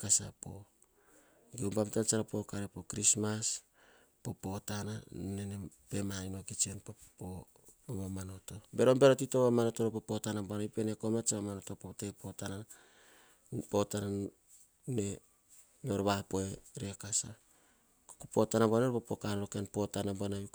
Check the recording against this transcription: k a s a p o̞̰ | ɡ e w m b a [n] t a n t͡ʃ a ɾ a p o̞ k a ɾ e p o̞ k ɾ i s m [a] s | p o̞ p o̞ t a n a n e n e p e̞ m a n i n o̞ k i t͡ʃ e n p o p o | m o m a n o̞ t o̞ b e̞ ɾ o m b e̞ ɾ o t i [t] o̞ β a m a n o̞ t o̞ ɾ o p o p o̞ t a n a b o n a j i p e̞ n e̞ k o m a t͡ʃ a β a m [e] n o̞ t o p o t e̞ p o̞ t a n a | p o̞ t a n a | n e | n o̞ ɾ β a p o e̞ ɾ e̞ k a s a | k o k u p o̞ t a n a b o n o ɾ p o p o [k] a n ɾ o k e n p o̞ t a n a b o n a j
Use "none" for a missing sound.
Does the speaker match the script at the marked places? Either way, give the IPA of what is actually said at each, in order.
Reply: m, a, t, a, k

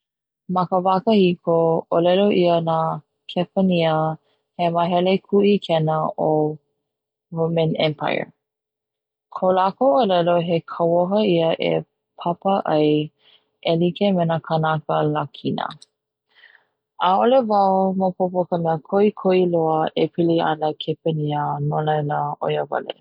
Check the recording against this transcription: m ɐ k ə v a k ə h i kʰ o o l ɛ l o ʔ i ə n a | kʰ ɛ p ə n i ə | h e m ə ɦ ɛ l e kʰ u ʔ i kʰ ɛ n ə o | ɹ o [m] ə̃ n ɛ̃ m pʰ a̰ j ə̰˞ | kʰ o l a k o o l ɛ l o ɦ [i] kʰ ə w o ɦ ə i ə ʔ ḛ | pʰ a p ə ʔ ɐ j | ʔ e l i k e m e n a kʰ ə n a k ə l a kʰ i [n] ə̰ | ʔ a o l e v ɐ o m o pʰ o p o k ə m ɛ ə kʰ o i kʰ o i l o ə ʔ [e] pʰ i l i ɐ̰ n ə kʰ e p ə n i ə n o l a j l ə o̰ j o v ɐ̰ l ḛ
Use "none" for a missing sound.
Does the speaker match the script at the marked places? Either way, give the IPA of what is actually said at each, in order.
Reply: m, e, n, e

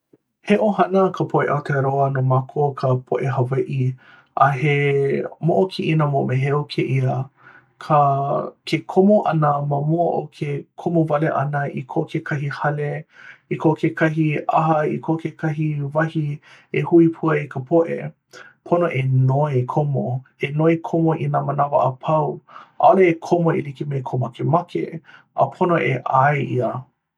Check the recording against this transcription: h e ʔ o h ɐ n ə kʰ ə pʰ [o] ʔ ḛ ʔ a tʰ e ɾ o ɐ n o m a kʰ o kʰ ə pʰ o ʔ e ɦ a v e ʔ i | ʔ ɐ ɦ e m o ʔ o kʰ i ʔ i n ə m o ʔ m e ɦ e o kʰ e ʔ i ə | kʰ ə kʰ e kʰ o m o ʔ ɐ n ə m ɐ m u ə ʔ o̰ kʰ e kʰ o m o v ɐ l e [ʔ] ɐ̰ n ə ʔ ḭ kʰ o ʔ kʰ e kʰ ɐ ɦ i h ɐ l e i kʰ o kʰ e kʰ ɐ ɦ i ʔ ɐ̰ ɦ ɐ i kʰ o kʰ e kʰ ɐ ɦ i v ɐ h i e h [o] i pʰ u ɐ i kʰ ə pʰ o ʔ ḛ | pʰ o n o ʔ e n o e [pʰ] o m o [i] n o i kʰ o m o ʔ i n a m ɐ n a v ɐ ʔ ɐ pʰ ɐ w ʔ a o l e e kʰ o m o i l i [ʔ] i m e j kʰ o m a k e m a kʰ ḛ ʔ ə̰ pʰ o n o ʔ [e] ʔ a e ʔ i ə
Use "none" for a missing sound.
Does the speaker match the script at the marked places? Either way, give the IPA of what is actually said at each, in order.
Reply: o, ʔ, u, kʰ, e, k, e

